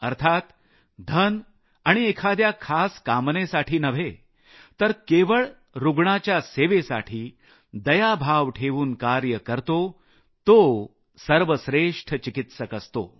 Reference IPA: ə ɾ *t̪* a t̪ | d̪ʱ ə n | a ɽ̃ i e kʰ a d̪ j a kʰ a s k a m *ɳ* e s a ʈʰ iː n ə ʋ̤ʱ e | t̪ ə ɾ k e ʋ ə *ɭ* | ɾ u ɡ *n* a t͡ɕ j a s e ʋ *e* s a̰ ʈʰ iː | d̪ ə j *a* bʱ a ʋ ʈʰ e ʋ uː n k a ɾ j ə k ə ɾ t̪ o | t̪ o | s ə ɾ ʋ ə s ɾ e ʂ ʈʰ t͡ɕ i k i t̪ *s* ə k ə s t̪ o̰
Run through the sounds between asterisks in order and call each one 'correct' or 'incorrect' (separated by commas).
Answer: incorrect, incorrect, correct, incorrect, correct, correct, correct